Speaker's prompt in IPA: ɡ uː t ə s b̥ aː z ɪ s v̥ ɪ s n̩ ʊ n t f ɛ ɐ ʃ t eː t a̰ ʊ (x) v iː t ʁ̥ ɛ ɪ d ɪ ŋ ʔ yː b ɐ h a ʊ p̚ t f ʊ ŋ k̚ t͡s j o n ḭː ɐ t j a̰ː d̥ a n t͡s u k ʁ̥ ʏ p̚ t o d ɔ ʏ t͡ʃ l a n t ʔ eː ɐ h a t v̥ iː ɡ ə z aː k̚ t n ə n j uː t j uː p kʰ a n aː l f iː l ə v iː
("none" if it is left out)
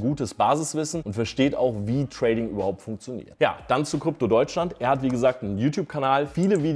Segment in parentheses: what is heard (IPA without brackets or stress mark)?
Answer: x